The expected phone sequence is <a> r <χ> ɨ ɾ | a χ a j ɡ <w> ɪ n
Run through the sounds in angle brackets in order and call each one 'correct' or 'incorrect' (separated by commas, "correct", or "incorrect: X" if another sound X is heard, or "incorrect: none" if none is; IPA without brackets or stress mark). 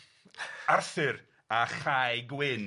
correct, incorrect: θ, correct